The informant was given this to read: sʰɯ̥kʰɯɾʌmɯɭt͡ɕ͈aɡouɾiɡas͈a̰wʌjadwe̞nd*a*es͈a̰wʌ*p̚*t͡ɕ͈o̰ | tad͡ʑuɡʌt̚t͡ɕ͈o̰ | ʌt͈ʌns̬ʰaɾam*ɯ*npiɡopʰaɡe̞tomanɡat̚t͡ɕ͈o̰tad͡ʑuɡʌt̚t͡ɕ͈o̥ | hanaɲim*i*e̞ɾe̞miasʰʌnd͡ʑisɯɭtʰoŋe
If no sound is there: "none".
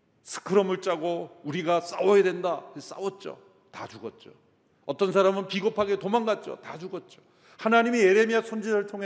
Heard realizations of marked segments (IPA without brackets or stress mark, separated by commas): a, t̚, ɯ, i